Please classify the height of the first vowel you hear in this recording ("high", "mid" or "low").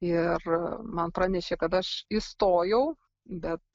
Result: high